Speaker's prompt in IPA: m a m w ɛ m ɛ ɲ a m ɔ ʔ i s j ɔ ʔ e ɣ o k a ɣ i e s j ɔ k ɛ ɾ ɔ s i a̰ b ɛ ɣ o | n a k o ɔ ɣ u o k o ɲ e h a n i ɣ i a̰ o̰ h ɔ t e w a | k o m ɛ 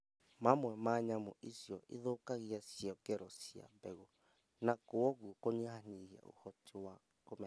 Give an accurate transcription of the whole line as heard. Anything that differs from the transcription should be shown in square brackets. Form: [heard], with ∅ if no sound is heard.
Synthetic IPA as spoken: m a m w ɛ m [a] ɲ a m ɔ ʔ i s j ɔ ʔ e [ð] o k a ɣ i [a] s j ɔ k ɛ ɾ ɔ s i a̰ b ɛ ɣ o | n a k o ɔ ɣ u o k o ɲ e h a n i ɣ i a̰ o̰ h ɔ t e w a | k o m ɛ